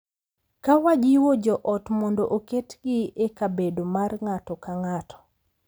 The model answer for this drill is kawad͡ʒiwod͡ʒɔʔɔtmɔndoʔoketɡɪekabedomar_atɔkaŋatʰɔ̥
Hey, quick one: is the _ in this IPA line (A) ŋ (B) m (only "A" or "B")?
A